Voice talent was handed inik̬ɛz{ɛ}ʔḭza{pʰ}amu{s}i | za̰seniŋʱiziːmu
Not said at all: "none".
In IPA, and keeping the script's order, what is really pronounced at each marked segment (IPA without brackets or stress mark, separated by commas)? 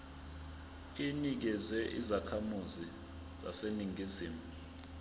ɛ, kʰ, z